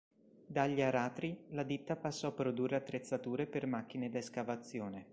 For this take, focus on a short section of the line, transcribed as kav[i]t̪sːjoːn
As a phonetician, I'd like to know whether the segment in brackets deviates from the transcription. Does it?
yes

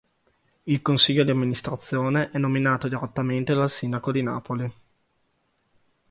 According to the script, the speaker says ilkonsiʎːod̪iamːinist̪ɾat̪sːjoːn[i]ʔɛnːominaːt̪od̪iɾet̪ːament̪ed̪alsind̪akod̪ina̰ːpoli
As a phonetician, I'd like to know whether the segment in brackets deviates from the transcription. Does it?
yes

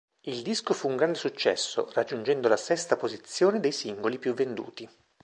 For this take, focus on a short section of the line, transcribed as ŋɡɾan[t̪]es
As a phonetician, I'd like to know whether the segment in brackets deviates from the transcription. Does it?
yes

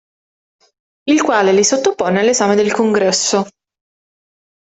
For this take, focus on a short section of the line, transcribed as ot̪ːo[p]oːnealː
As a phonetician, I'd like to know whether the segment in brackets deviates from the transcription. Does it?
no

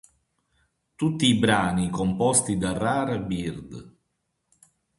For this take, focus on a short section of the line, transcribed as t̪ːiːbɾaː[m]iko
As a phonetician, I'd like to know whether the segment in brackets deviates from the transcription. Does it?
yes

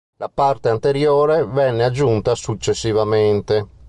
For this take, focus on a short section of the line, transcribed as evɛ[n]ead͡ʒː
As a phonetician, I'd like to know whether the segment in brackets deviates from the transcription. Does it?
yes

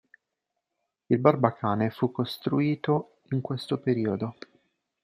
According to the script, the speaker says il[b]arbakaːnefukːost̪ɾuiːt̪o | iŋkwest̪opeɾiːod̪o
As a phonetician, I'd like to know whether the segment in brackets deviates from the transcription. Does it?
no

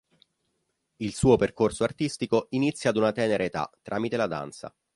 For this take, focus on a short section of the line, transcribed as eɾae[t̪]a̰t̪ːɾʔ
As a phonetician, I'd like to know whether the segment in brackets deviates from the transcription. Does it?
no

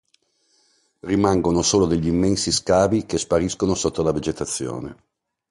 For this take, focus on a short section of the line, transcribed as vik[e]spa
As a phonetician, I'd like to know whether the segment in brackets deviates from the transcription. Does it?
no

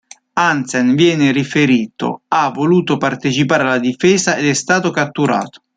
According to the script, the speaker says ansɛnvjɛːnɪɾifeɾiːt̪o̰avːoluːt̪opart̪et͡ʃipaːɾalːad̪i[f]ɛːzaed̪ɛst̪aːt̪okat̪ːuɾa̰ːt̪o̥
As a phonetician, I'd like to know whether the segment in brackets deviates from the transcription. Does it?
no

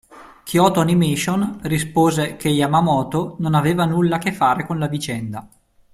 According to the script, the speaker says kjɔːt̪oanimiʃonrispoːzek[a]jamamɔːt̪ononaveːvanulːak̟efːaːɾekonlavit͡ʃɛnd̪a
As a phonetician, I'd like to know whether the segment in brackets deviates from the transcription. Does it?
yes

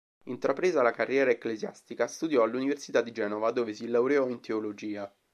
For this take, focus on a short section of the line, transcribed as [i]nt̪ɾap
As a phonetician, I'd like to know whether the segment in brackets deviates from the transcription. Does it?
no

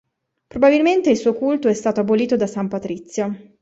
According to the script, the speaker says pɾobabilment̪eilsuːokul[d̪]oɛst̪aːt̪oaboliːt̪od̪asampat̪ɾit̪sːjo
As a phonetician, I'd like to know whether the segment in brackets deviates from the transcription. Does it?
yes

